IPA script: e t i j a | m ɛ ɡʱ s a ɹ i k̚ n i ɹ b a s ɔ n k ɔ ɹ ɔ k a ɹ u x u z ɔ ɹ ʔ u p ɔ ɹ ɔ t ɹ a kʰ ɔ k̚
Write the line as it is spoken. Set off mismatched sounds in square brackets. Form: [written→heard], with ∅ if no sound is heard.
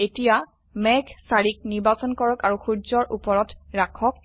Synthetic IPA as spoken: e t i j a | m ɛ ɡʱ s a ɹ i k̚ n i ɹ b a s ɔ n k ɔ ɹ ɔ k a ɹ u x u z ɔ ɹ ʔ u p ɔ ɹ ɔ t ɹ a kʰ ɔ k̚